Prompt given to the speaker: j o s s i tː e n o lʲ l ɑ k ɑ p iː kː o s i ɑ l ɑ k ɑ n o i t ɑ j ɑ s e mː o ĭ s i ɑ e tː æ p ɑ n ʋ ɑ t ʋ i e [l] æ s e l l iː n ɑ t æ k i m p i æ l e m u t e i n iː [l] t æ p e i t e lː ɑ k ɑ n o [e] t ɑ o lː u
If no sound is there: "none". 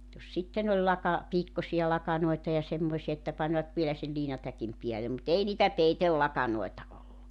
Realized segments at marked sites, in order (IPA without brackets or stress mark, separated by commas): l, none, e